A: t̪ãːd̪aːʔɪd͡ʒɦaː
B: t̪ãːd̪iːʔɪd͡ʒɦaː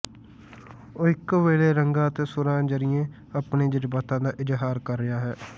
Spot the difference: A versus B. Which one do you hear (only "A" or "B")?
A